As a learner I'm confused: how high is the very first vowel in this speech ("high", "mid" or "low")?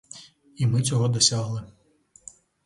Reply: high